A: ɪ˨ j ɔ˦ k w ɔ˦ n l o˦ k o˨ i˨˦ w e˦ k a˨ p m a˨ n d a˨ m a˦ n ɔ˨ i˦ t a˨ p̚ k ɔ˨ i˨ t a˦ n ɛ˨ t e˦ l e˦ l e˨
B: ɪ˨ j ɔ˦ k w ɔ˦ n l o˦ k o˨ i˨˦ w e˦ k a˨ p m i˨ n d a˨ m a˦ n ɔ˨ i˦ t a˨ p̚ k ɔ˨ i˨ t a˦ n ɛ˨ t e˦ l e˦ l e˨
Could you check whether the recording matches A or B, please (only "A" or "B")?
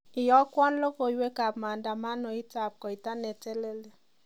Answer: A